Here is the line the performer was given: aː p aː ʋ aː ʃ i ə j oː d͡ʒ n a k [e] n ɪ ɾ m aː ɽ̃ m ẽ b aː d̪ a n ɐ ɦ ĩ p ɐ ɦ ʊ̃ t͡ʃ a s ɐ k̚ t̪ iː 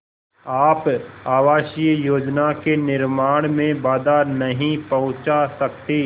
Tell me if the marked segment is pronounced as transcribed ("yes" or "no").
yes